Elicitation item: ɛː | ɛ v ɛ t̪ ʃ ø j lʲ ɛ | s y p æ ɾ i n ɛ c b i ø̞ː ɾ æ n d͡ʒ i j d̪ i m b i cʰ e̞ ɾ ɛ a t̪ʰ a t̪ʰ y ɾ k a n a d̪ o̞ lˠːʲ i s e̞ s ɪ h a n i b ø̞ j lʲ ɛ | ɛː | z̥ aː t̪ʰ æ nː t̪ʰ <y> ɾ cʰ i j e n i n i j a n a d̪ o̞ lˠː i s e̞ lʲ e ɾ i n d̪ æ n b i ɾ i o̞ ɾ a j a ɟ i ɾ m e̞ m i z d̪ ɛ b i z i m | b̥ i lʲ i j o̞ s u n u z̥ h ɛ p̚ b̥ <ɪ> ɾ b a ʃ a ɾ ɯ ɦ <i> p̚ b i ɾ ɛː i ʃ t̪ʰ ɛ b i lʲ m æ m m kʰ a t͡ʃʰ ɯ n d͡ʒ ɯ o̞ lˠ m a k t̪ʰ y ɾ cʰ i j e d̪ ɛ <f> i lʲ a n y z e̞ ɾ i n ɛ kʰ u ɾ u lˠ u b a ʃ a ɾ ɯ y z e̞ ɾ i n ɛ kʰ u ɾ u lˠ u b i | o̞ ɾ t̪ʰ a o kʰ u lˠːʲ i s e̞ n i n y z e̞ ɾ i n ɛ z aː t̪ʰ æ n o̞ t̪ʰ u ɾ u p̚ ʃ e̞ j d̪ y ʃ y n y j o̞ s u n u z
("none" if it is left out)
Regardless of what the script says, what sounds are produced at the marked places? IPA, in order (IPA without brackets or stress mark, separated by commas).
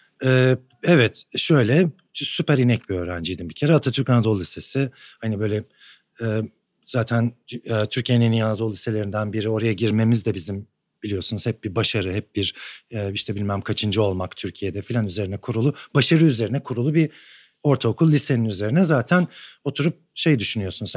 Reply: y, i, ɛ, f